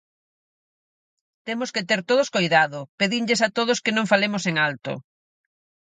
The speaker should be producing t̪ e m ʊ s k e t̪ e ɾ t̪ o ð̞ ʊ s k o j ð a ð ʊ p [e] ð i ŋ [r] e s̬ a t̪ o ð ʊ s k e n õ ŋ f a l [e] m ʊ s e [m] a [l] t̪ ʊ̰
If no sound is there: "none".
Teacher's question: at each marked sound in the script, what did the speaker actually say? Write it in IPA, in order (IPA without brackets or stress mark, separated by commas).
e, ʎ, e, ŋ, l